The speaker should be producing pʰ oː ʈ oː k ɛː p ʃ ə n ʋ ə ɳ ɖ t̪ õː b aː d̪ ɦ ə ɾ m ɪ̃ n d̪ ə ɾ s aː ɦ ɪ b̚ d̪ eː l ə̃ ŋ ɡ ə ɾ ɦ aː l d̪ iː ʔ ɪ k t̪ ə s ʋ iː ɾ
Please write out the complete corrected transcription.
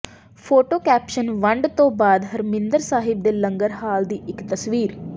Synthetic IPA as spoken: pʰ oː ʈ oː k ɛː p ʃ ə n ʋ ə ɳ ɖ t̪ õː b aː d̪ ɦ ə ɾ m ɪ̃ n d̪ ə ɾ s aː ɦ ɪ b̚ d̪ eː l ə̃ ŋ ɡ ə ɾ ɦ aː l d̪ iː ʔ ɪ k t̪ ə s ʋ iː ɾ